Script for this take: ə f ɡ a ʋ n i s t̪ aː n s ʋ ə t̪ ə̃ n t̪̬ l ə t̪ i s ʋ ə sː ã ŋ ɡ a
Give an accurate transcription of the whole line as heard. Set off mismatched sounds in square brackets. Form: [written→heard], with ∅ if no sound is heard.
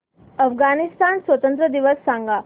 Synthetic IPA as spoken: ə f ɡ a [ʋ→∅] n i s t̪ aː n s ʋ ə t̪ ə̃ n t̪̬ [l→ɾ] ə [t̪→d̪] i [s→∅] ʋ ə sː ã ŋ ɡ a